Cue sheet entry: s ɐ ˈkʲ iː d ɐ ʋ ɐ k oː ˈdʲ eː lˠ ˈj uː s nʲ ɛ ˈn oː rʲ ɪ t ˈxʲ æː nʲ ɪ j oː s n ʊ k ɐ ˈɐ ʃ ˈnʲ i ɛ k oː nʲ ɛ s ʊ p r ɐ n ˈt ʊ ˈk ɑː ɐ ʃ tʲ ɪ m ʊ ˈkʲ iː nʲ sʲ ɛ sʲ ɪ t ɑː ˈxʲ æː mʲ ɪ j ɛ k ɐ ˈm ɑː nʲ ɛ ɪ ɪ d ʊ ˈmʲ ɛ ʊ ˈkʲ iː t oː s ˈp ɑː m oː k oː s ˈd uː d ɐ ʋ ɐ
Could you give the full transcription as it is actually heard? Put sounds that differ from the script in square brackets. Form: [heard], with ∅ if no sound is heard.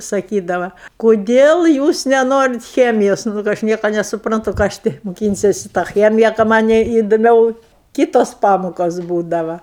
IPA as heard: s ɐ ˈkʲ iː d ɐ ʋ ɐ k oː ˈdʲ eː lˠ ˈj uː s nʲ ɛ ˈn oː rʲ ɪ t ˈxʲ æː [mʲ] ɪ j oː s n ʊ k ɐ ˈɐ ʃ ˈnʲ i ɛ k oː nʲ ɛ s ʊ p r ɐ n ˈt ʊ ˈk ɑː ɐ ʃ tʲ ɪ m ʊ ˈkʲ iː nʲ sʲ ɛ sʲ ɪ t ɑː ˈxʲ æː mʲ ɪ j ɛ k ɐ ˈm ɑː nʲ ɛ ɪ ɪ d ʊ ˈmʲ ɛ ʊ ˈkʲ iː t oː s ˈp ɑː m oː k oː s [ˈb] uː d ɐ ʋ ɐ